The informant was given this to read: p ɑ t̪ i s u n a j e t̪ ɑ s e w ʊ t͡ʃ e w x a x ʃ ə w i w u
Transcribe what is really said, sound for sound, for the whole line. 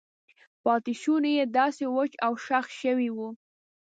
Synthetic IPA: p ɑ t̪ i ʃ u n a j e d̪ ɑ s e w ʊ t͡ʃ a w ʃ a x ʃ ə w i w u